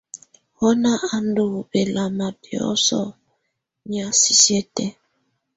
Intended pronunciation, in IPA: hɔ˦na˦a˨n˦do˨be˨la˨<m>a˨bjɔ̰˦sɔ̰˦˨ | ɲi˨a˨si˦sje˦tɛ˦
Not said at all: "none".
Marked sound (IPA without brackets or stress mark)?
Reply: m